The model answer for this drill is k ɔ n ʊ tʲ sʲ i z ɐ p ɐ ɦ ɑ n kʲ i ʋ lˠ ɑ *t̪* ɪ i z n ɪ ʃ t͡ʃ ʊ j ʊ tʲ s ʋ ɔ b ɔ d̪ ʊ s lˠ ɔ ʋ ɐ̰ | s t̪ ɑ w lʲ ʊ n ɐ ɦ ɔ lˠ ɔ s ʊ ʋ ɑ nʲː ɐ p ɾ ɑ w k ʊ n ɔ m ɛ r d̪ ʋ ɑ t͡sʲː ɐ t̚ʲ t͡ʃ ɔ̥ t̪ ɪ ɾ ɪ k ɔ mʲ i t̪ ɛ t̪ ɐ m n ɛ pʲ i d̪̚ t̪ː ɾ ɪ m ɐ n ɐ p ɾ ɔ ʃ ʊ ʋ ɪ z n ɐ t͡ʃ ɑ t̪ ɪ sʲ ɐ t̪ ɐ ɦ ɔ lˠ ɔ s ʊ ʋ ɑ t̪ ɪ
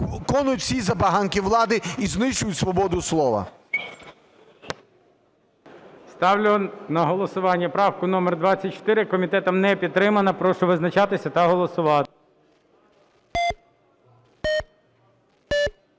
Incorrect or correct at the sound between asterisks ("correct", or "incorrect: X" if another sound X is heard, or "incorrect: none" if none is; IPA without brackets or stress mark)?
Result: incorrect: d̪